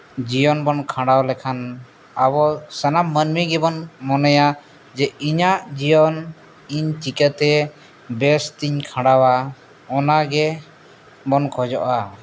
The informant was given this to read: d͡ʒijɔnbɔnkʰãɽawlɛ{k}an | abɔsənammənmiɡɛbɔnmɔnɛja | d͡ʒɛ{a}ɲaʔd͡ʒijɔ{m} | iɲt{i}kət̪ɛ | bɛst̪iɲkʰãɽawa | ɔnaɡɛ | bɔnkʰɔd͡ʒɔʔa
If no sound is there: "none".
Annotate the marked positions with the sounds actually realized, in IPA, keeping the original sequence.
kʰ, i, n, i

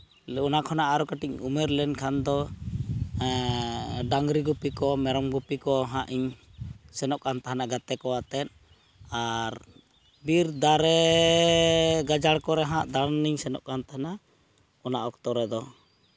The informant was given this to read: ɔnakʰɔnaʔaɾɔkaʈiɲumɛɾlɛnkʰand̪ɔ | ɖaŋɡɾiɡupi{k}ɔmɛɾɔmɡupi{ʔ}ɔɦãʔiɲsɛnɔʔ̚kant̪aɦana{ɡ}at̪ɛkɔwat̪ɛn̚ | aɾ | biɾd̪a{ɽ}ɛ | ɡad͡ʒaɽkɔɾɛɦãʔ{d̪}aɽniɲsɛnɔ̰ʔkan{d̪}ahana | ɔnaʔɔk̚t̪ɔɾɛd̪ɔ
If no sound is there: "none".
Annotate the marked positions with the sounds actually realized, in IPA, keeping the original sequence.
k, k, ɡ, ɾ, d̪, t̪

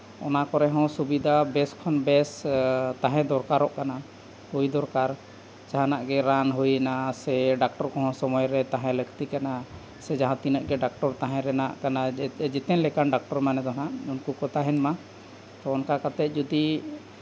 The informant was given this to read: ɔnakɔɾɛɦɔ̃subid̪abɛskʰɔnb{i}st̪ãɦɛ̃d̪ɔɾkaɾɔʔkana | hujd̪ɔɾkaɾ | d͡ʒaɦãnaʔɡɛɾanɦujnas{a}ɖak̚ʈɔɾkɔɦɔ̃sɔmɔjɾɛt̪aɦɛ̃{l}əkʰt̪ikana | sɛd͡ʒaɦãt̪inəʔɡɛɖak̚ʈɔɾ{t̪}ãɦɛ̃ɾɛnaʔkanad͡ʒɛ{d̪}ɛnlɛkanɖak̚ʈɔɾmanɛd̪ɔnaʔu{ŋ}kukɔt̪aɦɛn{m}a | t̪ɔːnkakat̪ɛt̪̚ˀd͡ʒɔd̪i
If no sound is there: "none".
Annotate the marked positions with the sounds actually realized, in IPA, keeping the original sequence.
ɛ, ɛ, l, t̪, t̪, n, m

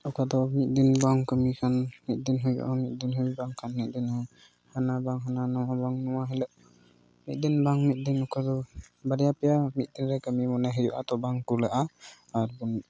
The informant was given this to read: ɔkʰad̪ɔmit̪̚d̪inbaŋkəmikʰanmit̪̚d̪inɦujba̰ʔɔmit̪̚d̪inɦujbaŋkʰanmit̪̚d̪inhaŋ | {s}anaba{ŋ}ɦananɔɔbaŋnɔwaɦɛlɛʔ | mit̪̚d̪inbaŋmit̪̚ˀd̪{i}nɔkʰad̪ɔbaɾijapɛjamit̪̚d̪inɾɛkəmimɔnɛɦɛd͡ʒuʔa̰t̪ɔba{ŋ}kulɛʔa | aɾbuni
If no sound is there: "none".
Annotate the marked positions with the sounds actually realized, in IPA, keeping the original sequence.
h, ŋ, i, ŋ

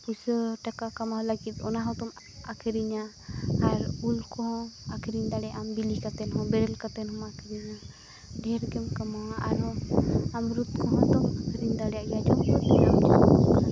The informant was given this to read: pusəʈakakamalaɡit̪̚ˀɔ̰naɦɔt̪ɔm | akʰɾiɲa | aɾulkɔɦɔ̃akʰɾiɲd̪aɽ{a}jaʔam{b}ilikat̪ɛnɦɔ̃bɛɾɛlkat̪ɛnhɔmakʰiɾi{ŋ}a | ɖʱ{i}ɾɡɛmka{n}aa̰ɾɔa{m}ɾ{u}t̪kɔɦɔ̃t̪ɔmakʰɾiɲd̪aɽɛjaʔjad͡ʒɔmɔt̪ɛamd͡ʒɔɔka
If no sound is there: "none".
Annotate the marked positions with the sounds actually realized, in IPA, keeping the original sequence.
ɛ, b, ɲ, ɛ, m, m, u

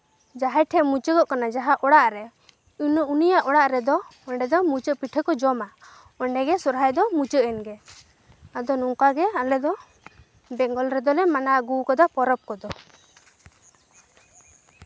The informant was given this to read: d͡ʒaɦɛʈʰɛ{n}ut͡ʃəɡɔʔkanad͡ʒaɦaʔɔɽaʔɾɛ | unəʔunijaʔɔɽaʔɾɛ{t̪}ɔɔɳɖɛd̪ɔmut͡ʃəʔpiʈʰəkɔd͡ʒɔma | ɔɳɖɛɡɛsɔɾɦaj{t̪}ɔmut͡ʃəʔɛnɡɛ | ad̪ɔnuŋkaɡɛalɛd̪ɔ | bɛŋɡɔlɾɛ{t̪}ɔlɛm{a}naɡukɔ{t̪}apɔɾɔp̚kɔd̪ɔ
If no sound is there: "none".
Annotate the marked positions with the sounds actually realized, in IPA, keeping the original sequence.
m, d̪, d̪, d̪, a, d̪

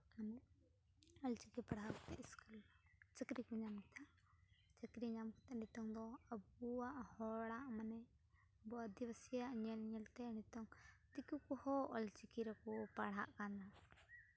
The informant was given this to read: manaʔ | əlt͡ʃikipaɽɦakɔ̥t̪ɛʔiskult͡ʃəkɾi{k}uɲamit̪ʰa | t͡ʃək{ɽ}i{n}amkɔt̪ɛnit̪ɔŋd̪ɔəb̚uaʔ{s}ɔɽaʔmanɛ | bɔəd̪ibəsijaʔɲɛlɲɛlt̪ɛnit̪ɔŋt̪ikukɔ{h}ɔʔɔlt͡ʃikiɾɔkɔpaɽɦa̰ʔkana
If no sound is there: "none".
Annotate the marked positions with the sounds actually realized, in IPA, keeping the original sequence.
k, ɾ, ɲ, h, h

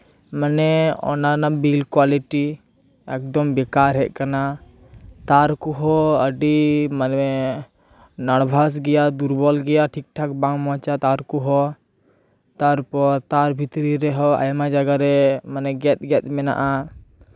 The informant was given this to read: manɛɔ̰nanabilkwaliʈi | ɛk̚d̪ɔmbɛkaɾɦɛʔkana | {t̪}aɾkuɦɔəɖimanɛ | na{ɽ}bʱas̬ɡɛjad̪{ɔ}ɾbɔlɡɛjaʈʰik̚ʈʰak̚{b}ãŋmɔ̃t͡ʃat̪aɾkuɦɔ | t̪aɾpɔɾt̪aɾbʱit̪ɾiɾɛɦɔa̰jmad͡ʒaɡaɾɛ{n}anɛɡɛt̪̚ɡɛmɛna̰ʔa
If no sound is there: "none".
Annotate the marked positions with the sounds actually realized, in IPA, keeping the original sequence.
t̪, ɽ, u, b, m

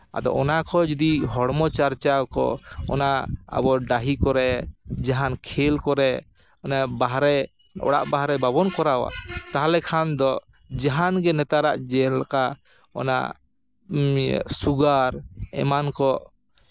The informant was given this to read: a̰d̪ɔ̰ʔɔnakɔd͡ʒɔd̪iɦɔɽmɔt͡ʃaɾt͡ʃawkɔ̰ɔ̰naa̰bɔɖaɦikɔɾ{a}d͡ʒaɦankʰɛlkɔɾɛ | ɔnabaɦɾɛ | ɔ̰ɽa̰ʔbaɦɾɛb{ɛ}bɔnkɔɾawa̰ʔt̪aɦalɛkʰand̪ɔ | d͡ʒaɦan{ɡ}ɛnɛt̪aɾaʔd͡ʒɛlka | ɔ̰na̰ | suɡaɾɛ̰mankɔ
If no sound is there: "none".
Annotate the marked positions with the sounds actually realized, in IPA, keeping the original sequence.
ɛ, a, ɡ

